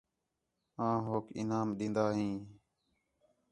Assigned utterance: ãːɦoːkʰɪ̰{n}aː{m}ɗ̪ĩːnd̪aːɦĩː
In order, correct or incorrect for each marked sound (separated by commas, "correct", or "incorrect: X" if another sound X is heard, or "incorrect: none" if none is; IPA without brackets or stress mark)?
correct, correct